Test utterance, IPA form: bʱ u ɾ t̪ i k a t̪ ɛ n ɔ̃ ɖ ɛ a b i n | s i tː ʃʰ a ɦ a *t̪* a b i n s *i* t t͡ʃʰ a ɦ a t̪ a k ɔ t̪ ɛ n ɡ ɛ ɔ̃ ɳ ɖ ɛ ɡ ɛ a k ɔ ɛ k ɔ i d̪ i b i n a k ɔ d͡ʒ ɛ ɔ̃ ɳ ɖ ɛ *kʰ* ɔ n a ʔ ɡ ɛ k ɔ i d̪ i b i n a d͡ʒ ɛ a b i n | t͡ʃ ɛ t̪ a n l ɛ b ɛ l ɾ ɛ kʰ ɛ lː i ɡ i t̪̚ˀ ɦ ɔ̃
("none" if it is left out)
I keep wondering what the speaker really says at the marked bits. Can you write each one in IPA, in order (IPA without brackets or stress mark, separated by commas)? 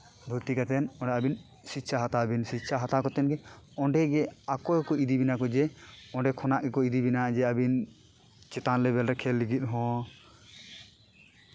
t̪, i, kʰ